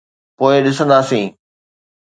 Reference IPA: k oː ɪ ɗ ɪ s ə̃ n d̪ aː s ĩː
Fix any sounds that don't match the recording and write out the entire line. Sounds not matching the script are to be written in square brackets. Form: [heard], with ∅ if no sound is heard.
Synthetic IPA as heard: [p] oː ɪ ɗ ɪ s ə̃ n d̪ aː s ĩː